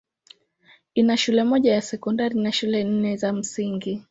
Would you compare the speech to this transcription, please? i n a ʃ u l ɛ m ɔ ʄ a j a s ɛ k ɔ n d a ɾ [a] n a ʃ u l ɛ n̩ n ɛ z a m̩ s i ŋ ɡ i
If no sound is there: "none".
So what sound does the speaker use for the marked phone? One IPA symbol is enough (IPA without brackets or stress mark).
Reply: i